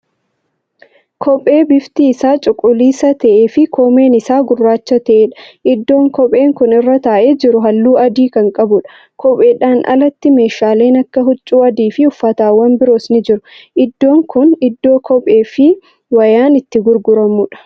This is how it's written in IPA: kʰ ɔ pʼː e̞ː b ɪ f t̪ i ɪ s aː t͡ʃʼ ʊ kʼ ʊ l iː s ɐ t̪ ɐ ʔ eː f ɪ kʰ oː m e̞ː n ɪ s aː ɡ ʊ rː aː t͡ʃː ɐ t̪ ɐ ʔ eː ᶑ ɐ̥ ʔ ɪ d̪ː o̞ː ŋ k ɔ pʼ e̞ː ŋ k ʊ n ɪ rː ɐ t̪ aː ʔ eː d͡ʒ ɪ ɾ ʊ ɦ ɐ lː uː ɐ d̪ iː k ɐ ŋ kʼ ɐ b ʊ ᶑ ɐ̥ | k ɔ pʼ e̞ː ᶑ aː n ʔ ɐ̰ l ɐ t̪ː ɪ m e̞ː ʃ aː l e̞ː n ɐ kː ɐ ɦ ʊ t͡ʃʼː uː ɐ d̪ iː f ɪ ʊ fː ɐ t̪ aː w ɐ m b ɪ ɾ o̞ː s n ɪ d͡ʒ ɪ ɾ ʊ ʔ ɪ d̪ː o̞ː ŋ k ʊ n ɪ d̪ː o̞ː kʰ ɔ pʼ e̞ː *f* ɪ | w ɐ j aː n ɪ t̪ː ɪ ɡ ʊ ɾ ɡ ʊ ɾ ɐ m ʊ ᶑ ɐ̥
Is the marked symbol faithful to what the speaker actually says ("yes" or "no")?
yes